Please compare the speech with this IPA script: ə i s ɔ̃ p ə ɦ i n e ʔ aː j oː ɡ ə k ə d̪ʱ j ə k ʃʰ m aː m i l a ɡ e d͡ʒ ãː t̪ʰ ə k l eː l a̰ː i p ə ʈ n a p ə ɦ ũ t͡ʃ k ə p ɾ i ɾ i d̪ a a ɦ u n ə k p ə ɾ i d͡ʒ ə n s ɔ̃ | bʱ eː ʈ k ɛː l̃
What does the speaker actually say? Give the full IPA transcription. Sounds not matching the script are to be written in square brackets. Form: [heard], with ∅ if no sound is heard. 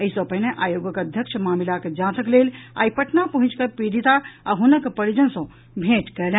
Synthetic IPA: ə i s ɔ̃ p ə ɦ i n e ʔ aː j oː ɡ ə k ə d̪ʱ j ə k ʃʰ m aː m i l a [k] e d͡ʒ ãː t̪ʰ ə k l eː l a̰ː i p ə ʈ n a p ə ɦ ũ t͡ʃ k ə p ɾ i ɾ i [t̪] a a ɦ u n ə k p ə ɾ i d͡ʒ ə n s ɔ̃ | bʱ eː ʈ k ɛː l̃